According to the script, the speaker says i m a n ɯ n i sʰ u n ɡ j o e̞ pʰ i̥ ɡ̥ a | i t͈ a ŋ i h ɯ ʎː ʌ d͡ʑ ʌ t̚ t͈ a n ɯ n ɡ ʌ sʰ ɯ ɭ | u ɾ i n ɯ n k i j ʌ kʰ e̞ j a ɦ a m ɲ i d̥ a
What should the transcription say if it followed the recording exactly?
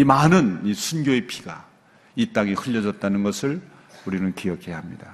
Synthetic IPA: i m a n ɯ n i sʰ u n ɡ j o e̞ pʰ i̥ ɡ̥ a | i t͈ a ŋ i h ɯ ʎː ʌ d͡ʑ ʌ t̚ t͈ a n ɯ n ɡ ʌ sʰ ɯ ɭ | u ɾ i n ɯ n k i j ʌ kʰ e̞ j a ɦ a m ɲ i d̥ a